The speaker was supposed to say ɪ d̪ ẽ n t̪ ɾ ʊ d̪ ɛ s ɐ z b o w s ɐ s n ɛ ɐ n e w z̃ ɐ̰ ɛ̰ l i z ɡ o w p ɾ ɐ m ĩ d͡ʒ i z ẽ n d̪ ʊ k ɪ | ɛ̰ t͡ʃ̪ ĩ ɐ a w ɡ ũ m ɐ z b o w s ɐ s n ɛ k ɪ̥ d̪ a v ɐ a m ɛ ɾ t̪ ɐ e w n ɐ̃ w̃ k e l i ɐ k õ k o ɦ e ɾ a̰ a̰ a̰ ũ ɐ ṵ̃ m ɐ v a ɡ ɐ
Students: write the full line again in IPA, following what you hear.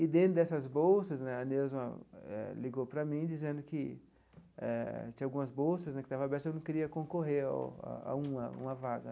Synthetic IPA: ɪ d̪ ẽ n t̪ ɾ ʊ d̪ ɛ s ɐ z b o w s ɐ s n ɛ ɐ n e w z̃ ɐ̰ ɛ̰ l i ɡ o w p ɾ ɐ m ĩ d͡ʒ i z ẽ n d̪ ʊ k ɪ | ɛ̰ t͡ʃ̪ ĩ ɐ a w ɡ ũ m ɐ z b o w s ɐ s n ɛ k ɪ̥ t̪ a v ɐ a b ɛ ɾ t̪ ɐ e w n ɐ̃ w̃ k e ɾ i ɐ k õ k o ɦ e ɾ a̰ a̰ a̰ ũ ɐ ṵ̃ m ɐ v a ɡ ɐ